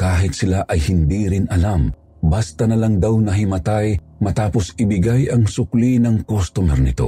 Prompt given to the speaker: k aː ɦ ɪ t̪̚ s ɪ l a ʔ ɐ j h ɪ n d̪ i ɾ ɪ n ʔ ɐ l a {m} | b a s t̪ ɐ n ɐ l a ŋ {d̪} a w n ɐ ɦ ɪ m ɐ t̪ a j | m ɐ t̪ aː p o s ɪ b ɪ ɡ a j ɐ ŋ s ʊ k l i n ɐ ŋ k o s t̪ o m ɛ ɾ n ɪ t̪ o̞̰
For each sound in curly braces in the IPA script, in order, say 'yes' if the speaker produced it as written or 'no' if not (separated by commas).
yes, yes